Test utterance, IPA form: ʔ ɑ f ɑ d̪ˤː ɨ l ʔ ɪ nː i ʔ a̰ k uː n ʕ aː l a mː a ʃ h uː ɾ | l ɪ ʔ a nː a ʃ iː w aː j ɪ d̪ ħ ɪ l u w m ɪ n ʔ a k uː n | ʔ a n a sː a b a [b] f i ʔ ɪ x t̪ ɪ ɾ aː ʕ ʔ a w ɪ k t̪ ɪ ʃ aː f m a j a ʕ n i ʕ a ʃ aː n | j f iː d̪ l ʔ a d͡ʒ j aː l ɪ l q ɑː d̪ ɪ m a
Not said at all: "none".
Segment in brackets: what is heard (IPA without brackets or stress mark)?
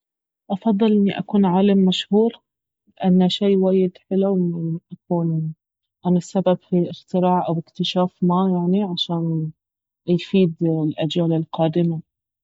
b